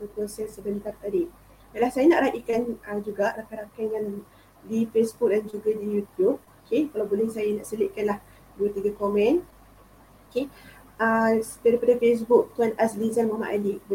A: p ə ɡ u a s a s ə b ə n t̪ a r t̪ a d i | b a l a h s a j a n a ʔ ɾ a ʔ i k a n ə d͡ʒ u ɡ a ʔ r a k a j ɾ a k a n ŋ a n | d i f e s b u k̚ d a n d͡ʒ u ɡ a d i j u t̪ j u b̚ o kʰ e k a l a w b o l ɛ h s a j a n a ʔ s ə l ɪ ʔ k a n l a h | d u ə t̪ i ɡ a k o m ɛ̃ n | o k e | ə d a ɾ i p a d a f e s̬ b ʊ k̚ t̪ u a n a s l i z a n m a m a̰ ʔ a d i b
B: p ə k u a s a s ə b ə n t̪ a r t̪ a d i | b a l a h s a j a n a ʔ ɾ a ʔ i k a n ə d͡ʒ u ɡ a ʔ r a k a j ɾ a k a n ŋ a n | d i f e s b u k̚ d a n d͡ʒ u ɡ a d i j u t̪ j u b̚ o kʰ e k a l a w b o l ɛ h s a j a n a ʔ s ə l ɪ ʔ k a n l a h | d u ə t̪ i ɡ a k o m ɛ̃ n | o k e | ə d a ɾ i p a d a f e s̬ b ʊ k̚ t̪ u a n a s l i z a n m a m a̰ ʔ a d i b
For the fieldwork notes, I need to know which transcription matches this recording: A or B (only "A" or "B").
B